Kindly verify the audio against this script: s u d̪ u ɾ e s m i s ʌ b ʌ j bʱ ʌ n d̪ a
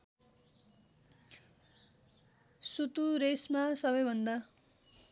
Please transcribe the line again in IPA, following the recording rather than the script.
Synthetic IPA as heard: s u t̪ u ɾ e s m a s ʌ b ʌ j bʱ ʌ n d̪ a

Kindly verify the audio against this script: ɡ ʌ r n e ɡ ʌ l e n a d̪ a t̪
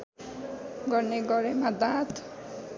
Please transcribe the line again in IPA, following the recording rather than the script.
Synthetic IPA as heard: ɡ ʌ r n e ɡ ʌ ɾ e m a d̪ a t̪

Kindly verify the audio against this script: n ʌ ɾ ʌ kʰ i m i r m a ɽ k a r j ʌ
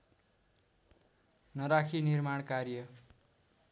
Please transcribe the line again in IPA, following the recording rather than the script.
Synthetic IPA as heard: n ʌ ɾ a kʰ i n i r m a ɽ k a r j ʌ

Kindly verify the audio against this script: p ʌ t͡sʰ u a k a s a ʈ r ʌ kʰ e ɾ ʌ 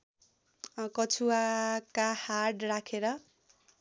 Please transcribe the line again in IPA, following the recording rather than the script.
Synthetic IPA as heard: k ʌ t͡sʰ u a k a h a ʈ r a kʰ e ɾ ʌ

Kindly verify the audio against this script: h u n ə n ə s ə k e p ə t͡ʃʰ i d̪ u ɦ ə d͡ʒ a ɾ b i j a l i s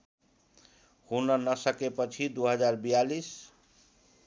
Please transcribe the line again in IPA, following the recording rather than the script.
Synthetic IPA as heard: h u n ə n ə s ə k e p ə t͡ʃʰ i d̪ u ɦ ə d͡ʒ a ɾ b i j a l i s

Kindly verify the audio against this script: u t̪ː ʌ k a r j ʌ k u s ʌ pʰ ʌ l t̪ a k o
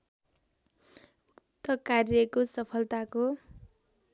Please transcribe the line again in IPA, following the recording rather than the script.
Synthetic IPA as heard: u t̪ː ʌ k a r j ʌ k o s ʌ pʰ ʌ l t̪ a k o

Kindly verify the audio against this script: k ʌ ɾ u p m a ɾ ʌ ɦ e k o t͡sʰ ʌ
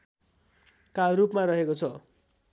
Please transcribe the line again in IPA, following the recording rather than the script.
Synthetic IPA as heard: k a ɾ u p m a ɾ ʌ ɦ e k o t͡sʰ ʌ

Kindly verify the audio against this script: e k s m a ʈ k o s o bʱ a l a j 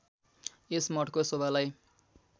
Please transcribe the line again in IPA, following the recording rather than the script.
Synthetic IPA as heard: e s m ʌ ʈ k o s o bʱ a l a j

